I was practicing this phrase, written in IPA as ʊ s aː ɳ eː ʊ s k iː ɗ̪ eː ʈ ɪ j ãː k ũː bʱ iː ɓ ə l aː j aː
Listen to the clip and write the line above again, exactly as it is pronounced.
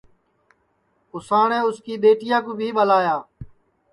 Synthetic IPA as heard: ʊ s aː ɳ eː ʊ s k iː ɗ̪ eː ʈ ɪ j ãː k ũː bʱ iː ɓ ə l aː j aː